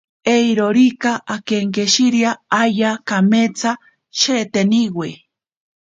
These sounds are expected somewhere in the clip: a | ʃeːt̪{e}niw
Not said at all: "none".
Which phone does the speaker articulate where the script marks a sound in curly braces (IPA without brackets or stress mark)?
e